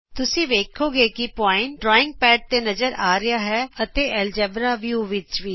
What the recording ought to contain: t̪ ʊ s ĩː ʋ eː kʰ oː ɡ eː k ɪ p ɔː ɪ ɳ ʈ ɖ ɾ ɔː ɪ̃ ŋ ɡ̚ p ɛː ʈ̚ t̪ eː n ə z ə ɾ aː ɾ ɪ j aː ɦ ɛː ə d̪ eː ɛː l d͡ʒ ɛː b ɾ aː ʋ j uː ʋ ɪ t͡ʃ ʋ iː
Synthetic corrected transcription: t̪ ʊ s ĩː ʋ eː kʰ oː ɡ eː k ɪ p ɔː ɪ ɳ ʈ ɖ ɾ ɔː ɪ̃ ŋ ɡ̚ p ɛː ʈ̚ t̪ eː n ə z ə ɾ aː ɾ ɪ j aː ɦ ɛː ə t̪ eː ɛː l d͡ʒ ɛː b ɾ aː ʋ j uː ʋ ɪ t͡ʃ ʋ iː